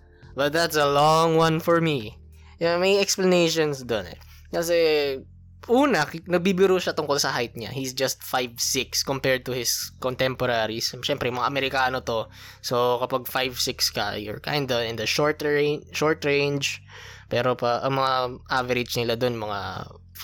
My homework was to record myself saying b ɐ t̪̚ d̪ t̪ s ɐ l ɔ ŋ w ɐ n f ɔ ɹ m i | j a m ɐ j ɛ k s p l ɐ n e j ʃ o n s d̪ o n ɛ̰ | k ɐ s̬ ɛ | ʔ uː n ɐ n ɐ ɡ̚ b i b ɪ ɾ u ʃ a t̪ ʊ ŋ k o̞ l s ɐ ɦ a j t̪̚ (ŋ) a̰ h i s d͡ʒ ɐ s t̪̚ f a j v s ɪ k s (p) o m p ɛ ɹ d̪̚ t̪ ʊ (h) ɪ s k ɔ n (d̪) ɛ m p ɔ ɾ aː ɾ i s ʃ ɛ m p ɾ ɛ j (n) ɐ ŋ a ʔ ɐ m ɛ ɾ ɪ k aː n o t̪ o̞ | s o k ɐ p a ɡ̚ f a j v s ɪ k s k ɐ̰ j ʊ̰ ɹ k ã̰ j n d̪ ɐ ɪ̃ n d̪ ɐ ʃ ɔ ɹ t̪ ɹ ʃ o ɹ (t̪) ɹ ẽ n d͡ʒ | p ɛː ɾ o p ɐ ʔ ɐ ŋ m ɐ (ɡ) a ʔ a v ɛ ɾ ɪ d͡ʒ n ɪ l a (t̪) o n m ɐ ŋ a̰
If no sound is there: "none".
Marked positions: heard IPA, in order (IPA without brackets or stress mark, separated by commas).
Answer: ɲ, k, h, t̪, m, t̪, ŋ, d̪